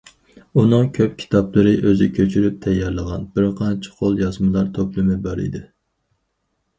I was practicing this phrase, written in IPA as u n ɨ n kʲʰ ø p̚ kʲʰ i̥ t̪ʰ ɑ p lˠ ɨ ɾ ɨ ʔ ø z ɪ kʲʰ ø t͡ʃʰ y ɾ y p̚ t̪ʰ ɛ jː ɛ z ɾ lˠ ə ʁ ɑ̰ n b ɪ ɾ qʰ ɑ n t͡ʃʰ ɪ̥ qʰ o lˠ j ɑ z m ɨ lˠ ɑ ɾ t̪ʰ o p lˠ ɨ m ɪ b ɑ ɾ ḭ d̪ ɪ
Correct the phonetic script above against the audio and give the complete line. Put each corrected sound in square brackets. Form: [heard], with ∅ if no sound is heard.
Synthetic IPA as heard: u n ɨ [ŋ] kʲʰ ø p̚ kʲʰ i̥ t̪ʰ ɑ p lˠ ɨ ɾ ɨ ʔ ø z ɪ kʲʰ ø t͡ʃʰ y ɾ y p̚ t̪ʰ ɛ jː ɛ [∅] ɾ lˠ ə ʁ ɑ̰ n b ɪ ɾ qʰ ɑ n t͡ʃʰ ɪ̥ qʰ o lˠ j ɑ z m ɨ lˠ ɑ ɾ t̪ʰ o p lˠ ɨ m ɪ b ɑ ɾ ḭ d̪ ɪ